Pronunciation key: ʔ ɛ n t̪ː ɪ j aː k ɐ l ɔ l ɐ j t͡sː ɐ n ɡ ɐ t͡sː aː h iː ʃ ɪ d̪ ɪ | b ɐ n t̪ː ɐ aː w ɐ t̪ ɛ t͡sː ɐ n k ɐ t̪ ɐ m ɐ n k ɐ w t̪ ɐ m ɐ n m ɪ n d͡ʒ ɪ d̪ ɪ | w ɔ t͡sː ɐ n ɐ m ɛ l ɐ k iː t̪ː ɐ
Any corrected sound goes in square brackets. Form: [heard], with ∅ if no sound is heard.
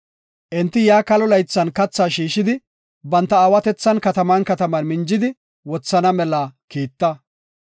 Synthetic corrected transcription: ʔ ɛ n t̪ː ɪ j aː k ɐ l ɔ l ɐ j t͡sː ɐ n [k] ɐ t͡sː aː [ʃ] iː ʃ ɪ d̪ ɪ | b ɐ n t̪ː ɐ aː w ɐ t̪ ɛ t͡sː ɐ n k ɐ t̪ ɐ m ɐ n k ɐ [∅] t̪ ɐ m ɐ n m ɪ n d͡ʒ ɪ d̪ ɪ | w ɔ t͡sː ɐ n ɐ m ɛ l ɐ k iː t̪ː ɐ